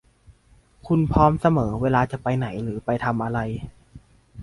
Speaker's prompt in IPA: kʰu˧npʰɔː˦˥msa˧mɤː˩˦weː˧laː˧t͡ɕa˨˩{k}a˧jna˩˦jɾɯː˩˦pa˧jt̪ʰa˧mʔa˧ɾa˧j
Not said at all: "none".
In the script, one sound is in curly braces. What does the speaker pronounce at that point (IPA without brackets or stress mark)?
p